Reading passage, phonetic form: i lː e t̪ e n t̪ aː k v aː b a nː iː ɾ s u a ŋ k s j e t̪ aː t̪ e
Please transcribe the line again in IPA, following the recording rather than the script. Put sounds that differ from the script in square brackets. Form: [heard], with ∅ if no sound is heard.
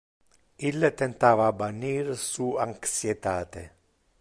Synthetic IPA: i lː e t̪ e n t̪ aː [∅] v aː b a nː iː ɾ s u a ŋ k s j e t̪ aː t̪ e